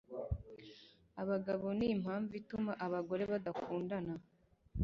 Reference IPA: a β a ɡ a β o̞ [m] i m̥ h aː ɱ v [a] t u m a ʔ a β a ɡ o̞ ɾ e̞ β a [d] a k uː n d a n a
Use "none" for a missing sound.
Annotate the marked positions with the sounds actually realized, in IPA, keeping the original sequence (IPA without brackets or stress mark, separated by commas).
n, i, d